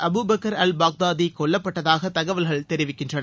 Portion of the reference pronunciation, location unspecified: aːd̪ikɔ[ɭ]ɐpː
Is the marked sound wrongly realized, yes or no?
yes